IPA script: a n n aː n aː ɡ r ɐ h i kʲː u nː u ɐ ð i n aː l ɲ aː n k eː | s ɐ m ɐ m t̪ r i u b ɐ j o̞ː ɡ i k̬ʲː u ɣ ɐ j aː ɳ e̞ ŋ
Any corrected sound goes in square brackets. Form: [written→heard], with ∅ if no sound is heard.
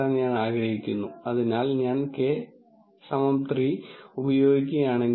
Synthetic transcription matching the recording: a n [n→ɲ] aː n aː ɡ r ɐ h i kʲː u nː u ɐ ð i n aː l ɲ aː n k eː | s ɐ m ɐ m t̪ r i u b ɐ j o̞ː ɡ i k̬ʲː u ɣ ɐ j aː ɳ e̞ ŋ